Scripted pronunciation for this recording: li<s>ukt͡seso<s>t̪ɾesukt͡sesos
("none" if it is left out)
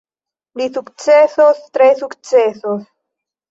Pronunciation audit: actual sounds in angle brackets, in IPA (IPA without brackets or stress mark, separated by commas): s, s